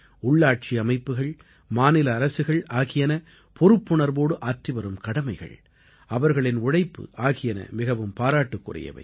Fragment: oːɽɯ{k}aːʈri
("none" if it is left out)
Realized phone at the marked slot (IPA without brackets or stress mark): ʔ